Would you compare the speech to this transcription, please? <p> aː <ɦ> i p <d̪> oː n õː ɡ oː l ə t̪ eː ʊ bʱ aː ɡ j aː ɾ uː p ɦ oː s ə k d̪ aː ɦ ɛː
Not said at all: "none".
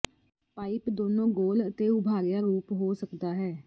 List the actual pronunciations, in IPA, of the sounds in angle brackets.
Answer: p, none, d̪

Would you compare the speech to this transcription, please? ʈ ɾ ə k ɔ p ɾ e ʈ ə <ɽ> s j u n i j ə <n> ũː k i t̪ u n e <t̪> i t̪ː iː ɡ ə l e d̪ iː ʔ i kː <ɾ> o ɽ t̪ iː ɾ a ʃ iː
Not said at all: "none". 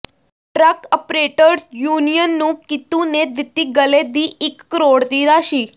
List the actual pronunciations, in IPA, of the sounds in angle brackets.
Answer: ɾ, nː, d̪, ɾ

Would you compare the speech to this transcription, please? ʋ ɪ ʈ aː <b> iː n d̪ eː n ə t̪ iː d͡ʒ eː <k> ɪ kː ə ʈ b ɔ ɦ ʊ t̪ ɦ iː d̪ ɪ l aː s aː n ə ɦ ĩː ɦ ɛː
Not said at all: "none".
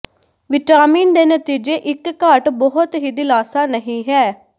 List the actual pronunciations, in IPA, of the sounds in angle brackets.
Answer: m, ʔ

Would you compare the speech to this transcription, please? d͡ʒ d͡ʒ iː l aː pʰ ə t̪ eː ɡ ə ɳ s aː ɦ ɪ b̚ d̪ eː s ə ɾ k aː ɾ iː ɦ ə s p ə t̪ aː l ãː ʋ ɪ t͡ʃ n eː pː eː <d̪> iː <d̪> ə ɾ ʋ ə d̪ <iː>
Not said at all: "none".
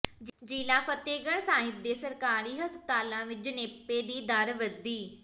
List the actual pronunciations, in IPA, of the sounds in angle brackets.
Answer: d̪, d̪, iː

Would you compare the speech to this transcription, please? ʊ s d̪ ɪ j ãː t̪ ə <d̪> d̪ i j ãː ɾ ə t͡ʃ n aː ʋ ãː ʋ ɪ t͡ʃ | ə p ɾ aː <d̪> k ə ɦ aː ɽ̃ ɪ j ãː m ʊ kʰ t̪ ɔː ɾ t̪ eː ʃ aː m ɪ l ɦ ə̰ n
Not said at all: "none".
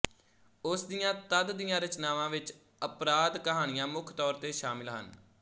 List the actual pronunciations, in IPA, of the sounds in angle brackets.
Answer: d̪, d̪

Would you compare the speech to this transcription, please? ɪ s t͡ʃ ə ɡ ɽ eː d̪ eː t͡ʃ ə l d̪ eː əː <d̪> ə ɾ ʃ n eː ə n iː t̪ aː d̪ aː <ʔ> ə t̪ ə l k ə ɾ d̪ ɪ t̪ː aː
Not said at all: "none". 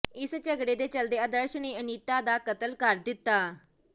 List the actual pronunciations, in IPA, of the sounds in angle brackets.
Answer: d̪, k

